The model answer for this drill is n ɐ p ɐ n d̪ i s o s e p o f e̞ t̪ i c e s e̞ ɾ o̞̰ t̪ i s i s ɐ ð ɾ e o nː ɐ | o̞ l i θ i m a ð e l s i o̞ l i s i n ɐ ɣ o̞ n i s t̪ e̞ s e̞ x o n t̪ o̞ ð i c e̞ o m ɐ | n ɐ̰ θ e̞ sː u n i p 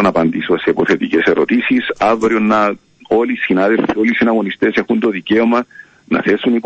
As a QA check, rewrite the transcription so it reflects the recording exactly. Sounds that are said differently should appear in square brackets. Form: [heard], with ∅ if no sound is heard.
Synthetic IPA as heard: n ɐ p ɐ n d̪ i s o s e p o [θ] e̞ t̪ i c e s e̞ ɾ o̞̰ t̪ i s i s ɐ [v] ɾ [i] o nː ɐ | o̞ l i [s] i [n] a ð e l [f] i o̞ l i s i n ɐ ɣ o̞ n i s t̪ e̞ s e̞ x [u] n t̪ o̞ ð i c e̞ o m ɐ | n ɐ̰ θ e̞ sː u n i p